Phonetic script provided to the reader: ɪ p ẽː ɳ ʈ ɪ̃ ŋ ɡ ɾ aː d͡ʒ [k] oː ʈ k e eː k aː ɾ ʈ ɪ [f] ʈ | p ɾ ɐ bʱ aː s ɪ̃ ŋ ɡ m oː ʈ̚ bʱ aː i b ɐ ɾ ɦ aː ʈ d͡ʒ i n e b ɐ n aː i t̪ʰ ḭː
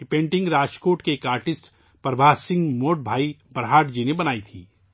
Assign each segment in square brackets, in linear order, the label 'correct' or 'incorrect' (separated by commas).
correct, incorrect